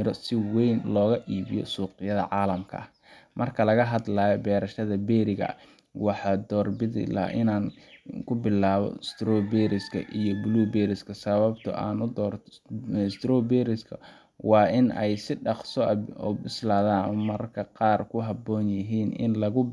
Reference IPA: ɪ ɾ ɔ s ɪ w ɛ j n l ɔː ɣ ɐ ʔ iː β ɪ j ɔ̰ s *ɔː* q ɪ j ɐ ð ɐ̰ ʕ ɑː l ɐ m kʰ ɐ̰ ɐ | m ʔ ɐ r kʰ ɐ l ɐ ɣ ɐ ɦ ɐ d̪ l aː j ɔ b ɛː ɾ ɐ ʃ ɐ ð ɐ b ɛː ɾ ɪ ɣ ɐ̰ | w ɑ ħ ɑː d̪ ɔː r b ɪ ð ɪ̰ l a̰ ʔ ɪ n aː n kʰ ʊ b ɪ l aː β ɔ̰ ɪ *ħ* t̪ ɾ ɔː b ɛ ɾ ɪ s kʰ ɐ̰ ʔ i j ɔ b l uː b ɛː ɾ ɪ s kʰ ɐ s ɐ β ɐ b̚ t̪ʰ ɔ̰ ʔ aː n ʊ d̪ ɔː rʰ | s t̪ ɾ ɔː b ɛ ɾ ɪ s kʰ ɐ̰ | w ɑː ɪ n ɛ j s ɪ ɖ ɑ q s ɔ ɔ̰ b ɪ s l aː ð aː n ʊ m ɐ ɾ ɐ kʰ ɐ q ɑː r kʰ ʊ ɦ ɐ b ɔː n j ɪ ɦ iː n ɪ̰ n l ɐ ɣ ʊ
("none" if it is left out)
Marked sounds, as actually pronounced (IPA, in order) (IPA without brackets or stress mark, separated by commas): uː, s